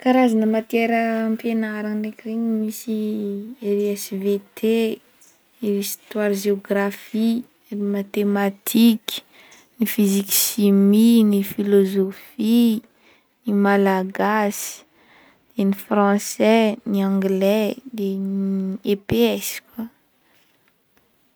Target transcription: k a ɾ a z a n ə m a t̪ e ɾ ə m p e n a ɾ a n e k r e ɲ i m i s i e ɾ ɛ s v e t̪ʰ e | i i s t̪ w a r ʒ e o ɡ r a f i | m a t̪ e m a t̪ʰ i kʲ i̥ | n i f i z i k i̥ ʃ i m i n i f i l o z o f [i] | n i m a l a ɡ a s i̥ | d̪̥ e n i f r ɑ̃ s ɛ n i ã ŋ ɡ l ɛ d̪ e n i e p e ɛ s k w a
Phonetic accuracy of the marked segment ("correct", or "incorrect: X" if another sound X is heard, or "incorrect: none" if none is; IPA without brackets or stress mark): correct